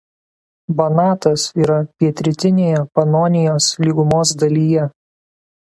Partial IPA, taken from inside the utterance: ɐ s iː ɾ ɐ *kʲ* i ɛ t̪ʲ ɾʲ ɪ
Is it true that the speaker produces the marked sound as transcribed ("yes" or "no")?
no